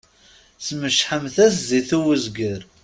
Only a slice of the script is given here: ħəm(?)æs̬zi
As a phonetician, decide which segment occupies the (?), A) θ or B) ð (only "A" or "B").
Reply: A